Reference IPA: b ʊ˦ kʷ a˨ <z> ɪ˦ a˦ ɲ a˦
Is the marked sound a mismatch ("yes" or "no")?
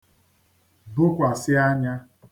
yes